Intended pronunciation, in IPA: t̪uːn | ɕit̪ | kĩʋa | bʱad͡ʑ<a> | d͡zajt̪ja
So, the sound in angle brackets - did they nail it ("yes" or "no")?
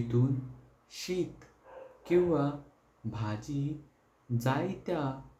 no